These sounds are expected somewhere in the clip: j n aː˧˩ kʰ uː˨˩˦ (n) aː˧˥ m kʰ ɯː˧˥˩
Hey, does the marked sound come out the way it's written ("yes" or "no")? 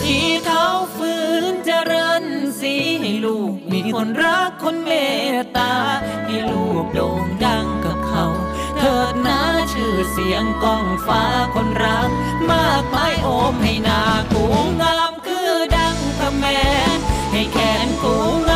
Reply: no